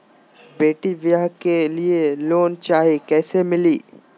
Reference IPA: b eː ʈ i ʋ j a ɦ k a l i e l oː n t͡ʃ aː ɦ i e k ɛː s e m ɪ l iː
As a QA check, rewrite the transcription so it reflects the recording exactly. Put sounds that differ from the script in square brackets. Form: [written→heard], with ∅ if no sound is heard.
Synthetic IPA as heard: b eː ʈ i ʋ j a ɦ k [a→e] l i e l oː n t͡ʃ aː ɦ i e k ɛː s e m ɪ l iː